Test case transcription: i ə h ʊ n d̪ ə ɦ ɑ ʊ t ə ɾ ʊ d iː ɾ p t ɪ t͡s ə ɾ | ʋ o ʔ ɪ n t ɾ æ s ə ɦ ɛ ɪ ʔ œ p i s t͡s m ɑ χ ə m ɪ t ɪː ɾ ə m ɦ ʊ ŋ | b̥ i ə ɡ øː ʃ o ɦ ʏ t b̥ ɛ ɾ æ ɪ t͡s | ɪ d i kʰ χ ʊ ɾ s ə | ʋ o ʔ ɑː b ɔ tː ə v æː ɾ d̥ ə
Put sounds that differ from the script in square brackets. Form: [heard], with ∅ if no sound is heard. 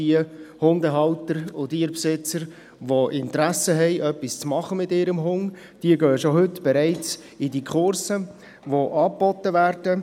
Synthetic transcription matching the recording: i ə h ʊ n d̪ ə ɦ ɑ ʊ t ə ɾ ʊ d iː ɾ p [s] ɪ t͡s ə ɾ | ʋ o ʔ ɪ n t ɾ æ s ə ɦ ɛ ɪ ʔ œ p i s t͡s m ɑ χ ə m ɪ t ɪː ɾ ə m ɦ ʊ ŋ | [d̥] i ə ɡ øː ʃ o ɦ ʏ t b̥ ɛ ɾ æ ɪ t͡s | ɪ d i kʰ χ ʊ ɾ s ə | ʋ o ʔ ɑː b ɔ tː ə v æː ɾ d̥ ə